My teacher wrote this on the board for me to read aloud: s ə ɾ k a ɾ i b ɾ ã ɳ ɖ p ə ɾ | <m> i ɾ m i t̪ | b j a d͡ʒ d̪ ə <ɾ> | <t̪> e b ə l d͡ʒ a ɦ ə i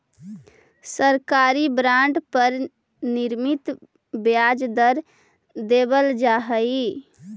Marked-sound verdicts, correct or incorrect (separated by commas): incorrect, correct, incorrect